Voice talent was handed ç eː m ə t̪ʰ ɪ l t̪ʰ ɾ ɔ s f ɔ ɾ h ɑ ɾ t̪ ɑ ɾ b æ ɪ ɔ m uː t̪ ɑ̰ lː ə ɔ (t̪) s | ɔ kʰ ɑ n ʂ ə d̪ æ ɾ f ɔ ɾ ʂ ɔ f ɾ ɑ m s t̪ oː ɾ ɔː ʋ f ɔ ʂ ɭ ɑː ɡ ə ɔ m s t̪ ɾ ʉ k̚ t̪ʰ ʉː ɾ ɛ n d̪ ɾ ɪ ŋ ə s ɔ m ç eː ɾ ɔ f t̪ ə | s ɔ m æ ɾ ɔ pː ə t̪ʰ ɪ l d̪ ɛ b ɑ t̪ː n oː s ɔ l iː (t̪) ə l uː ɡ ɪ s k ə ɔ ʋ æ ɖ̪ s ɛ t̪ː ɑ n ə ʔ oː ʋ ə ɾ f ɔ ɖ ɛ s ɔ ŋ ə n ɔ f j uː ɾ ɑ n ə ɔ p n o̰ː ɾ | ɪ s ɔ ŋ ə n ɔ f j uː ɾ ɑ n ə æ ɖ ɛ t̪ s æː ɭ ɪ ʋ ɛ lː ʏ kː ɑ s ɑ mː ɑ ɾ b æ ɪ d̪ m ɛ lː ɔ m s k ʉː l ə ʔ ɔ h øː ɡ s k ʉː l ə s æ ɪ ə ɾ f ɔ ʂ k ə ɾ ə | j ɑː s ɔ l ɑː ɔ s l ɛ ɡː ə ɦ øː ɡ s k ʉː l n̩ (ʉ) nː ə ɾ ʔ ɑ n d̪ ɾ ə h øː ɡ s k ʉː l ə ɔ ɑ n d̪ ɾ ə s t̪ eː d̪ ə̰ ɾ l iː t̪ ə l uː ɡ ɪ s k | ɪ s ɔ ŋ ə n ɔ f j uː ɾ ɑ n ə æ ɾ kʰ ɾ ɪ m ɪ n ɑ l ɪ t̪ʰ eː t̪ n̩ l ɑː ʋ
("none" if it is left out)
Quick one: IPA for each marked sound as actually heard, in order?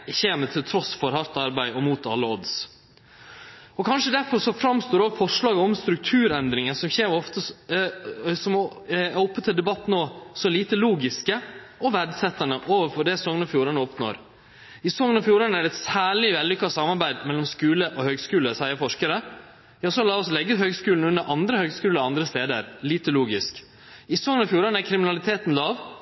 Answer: d̪, t̪, ʉ

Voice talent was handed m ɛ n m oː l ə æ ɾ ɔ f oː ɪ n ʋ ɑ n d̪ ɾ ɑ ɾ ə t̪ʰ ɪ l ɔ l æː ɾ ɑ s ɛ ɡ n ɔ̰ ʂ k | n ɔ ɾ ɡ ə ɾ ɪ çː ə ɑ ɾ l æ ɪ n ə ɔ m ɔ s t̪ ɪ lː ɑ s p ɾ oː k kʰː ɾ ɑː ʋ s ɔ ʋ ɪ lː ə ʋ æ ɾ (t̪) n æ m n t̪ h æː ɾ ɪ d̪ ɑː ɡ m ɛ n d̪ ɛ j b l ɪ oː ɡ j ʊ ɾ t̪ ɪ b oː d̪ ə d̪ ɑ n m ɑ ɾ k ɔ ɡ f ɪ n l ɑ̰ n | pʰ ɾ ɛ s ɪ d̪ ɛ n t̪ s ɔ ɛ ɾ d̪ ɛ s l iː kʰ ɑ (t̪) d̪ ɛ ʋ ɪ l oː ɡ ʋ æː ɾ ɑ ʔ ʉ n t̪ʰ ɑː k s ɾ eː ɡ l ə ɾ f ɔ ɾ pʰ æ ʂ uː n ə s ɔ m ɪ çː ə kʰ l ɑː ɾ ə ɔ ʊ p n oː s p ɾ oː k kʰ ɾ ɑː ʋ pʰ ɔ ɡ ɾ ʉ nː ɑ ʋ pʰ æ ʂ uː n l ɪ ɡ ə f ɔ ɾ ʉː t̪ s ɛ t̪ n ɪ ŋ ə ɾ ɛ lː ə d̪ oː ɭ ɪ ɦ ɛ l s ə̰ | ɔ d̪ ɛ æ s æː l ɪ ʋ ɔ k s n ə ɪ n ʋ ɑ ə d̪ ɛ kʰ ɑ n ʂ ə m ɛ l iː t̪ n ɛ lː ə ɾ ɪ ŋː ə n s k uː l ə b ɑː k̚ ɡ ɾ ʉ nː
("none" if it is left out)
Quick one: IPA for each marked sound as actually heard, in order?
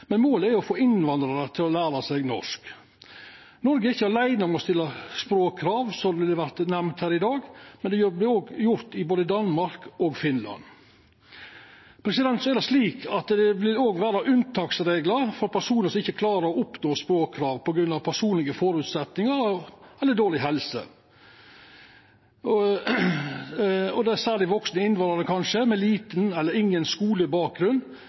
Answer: t̪, t̪

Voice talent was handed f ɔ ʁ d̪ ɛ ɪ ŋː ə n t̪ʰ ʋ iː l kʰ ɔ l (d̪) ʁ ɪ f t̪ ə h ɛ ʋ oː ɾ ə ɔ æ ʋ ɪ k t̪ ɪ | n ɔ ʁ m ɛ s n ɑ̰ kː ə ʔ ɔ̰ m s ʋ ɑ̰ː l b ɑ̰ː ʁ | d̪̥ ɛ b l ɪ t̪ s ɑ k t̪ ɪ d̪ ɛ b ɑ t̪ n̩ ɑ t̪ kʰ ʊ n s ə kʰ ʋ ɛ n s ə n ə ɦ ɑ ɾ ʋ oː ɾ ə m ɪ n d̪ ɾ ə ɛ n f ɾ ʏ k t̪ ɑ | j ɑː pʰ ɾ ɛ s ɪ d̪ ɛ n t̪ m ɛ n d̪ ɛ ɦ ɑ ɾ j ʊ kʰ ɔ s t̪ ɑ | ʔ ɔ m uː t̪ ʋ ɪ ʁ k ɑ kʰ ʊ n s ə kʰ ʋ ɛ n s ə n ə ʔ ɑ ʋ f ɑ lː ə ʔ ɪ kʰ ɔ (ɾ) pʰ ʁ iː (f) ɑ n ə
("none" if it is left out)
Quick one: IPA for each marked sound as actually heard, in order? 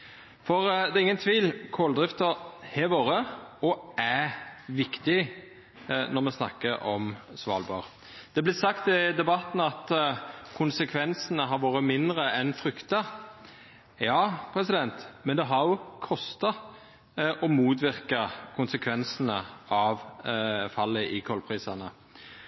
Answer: d̪, l, s

